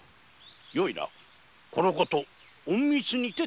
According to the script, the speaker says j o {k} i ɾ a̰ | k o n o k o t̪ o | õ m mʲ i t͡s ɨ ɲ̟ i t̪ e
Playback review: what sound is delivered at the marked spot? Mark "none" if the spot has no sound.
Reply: none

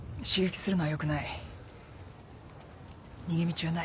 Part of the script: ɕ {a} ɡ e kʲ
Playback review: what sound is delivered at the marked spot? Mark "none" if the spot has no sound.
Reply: i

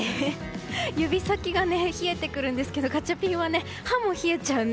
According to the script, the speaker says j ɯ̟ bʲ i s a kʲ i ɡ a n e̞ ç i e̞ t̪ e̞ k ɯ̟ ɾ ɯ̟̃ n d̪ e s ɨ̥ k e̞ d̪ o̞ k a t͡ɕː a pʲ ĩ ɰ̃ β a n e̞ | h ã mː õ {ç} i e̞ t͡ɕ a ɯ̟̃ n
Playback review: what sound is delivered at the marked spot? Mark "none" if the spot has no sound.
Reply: ç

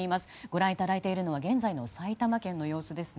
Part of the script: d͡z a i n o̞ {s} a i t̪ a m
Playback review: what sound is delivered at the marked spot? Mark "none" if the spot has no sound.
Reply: s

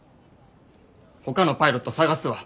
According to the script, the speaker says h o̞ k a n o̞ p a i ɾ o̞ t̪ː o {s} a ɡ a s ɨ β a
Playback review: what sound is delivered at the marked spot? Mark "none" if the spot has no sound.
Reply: s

